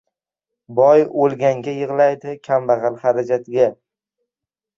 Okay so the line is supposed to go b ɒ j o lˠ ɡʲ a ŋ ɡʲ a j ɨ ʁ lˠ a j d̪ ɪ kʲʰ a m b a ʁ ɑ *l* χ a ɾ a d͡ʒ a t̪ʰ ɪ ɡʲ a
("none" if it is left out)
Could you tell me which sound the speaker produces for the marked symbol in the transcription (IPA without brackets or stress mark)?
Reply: l